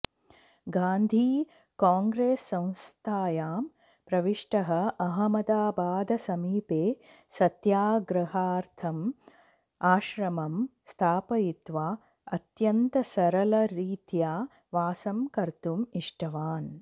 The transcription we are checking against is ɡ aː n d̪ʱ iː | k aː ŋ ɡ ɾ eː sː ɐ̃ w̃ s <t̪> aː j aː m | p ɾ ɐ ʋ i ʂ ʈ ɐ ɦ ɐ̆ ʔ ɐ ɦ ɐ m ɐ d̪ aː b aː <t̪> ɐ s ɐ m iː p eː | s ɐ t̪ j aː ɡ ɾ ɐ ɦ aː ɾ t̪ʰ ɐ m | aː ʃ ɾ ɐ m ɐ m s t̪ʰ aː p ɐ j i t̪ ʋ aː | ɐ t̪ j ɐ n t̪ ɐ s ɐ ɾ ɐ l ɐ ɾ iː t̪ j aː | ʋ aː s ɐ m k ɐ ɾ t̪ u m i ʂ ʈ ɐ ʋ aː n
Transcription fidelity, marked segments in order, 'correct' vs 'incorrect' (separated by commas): incorrect, incorrect